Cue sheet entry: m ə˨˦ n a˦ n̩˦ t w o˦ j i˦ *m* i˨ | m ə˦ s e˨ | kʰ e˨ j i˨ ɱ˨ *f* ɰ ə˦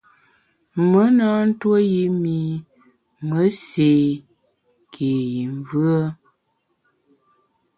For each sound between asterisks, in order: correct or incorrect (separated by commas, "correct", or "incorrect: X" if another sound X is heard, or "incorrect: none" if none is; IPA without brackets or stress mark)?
correct, incorrect: v